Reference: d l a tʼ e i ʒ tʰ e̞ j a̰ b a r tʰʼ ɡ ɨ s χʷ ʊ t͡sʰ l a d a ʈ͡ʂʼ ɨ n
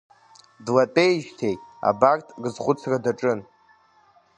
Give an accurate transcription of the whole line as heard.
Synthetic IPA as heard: d l a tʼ e j ʒ tʰ e̞ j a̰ b a r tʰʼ ɡ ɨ z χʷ ʊ t͡sʰ r a d a ʈ͡ʂʼ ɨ n